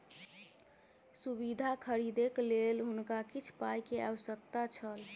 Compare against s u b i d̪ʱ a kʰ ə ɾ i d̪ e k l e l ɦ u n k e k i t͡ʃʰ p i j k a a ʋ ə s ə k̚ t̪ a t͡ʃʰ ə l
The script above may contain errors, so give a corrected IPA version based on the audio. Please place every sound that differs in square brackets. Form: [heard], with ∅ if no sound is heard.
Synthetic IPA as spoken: s u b i d̪ʱ a kʰ ə ɾ i d̪ e k l e l ɦ u n k [a] k i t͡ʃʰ p [a] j k [e] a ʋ ə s ə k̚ t̪ a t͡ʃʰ ə l